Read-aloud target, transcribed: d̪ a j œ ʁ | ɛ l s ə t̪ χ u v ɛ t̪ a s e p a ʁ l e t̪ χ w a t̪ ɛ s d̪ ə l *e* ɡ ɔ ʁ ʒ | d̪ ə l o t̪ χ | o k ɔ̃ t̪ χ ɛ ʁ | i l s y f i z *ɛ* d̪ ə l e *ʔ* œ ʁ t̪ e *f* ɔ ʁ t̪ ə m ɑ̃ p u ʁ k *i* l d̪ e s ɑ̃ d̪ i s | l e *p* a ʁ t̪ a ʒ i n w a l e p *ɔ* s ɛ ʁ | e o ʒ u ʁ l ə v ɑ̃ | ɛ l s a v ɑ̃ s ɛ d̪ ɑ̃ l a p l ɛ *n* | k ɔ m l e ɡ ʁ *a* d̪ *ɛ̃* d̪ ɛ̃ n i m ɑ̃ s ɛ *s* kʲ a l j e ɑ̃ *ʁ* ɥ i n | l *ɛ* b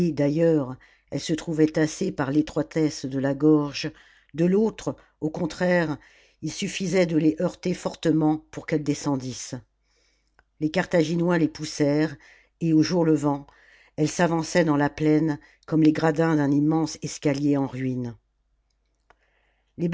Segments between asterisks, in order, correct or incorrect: incorrect: a, correct, correct, correct, incorrect: ɛ, incorrect: k, incorrect: u, correct, correct, correct, correct, correct, incorrect: e

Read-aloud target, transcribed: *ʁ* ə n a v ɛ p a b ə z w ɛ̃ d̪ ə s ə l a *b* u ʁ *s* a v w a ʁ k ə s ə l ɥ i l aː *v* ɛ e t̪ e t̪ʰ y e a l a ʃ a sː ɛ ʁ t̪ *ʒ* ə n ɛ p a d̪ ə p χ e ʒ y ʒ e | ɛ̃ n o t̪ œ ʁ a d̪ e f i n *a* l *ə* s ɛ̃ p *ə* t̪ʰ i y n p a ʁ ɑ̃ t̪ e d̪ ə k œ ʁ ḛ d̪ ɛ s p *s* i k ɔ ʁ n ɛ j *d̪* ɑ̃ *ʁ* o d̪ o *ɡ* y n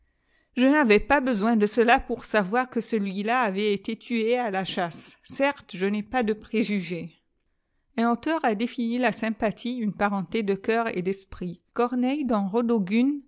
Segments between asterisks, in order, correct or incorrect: incorrect: ʒ, incorrect: p, correct, correct, correct, incorrect: i, incorrect: a, incorrect: a, incorrect: χ, correct, correct, correct

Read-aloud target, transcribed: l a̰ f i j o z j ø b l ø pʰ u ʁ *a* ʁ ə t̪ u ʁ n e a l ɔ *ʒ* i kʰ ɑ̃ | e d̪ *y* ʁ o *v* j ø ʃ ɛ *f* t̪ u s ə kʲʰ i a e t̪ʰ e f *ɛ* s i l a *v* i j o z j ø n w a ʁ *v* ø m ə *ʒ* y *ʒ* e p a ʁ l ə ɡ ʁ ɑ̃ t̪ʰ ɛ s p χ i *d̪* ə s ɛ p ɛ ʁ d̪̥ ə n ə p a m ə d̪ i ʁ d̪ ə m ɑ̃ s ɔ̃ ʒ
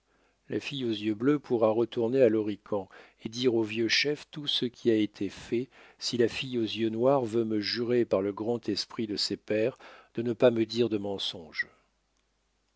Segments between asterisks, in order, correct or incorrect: correct, incorrect: ʁ, incorrect: i, correct, correct, correct, incorrect: f, correct, correct, incorrect: ʁ, correct

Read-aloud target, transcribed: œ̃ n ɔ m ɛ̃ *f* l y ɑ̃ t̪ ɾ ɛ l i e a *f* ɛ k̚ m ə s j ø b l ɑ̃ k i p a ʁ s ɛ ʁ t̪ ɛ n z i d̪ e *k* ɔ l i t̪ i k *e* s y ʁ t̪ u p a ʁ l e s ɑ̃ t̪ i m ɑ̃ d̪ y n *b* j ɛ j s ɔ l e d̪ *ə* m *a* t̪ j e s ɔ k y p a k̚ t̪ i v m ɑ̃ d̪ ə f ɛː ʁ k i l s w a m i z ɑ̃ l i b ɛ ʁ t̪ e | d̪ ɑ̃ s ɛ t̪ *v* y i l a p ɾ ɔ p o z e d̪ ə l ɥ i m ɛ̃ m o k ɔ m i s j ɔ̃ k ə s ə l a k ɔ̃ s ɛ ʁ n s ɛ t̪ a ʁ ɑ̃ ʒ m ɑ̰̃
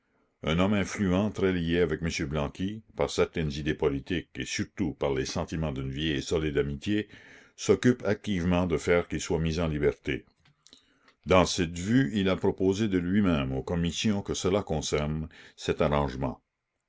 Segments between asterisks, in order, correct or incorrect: correct, incorrect: v, incorrect: p, correct, incorrect: v, incorrect: a, incorrect: i, correct

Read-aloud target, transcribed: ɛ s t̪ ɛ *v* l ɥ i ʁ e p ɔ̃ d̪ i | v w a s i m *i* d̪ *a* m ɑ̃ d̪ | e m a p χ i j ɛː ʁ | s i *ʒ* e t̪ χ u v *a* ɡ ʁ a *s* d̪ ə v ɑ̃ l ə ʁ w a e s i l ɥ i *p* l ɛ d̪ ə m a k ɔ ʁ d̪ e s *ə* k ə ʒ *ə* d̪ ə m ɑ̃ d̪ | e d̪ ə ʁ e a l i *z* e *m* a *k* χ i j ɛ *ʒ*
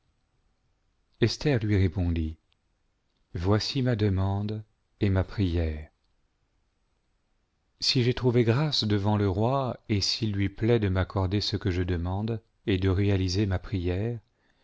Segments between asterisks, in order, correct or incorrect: incorrect: ʁ, incorrect: a, incorrect: ə, correct, incorrect: e, correct, correct, correct, correct, correct, correct, incorrect: p, incorrect: ʁ

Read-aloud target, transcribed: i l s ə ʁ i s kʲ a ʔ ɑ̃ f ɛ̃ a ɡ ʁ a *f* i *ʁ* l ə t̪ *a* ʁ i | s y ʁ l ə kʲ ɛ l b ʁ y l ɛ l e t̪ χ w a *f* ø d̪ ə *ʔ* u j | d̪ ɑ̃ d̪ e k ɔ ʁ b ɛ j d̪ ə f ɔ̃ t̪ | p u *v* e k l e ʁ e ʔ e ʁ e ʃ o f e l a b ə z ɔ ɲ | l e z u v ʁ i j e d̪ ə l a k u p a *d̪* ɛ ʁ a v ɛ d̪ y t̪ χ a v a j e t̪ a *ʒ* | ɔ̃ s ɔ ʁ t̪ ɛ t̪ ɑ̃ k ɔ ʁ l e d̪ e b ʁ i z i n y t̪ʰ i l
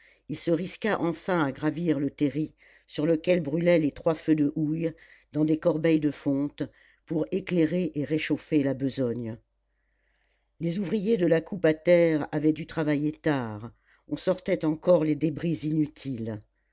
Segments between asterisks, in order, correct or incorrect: incorrect: v, correct, incorrect: e, correct, correct, incorrect: ʁ, incorrect: t̪, incorrect: ʁ

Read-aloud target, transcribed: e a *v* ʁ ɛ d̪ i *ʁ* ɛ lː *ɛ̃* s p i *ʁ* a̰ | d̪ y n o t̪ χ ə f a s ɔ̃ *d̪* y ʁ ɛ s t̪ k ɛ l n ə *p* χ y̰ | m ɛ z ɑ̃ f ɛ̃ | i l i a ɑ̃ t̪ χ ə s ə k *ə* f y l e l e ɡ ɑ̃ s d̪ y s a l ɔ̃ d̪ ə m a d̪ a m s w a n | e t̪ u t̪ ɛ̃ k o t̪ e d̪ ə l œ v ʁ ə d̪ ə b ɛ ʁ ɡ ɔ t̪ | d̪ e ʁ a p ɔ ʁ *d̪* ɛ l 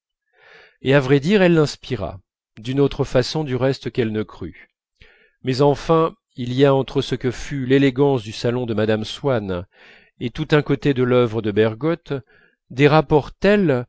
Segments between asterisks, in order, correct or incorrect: correct, correct, correct, correct, correct, incorrect: k, correct, incorrect: t̪

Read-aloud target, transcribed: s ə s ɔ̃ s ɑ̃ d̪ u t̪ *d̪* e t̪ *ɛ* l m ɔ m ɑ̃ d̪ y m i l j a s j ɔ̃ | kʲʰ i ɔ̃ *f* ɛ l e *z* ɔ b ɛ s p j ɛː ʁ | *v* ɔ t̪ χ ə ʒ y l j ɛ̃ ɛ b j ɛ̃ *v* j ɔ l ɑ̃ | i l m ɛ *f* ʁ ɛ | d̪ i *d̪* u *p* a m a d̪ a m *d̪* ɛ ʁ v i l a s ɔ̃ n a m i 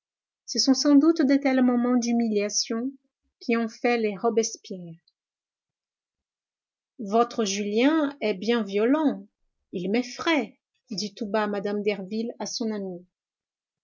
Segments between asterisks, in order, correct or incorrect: correct, correct, correct, incorrect: ʁ, correct, correct, correct, incorrect: t̪, incorrect: b, correct

